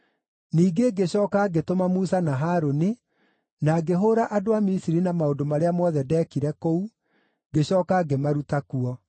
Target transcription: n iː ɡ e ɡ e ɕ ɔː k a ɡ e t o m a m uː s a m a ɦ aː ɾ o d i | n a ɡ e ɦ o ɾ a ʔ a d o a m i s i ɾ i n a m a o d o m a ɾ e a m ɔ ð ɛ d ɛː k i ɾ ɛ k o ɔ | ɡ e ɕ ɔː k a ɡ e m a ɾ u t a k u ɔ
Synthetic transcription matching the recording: n iː ɡ e ɡ e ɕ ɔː k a ɡ e t o m a m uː s a n a ɦ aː ɾ o n i | n a ɡ e ɦ o ɾ a ʔ a d o a m i s i ɾ i n a m a o d o m a ɾ e a m ɔ ð ɛ d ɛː k i ɾ ɛ k o u | ɡ e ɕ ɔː k a ɡ e m a ɾ u t a k u ɔ